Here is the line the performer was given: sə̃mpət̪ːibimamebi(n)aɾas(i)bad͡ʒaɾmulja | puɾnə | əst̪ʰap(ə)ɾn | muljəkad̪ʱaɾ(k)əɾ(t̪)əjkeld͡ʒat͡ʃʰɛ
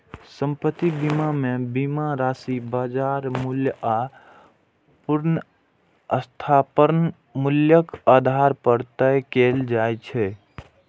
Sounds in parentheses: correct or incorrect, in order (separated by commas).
incorrect, correct, correct, incorrect, correct